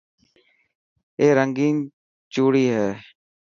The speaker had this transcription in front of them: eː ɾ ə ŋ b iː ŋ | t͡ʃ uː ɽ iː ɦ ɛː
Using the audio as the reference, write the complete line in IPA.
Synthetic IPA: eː ɾ ə ŋ ɡ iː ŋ | t͡ʃ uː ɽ iː ɦ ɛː